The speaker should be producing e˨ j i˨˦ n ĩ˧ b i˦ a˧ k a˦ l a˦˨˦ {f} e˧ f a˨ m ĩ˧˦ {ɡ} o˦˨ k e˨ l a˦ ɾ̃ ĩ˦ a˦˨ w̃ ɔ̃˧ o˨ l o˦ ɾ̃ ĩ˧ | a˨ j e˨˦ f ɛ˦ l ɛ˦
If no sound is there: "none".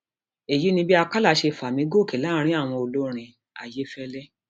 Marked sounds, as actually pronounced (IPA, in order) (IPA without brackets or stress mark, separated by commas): ʃ, ɡ